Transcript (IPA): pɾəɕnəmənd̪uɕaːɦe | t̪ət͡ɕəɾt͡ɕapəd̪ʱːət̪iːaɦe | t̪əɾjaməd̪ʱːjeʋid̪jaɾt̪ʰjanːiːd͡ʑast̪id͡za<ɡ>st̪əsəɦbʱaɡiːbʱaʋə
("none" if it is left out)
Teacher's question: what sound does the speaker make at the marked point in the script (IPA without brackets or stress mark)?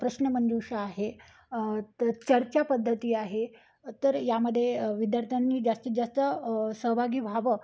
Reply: none